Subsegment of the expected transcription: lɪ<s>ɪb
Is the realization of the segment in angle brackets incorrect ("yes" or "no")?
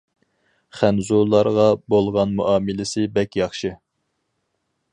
no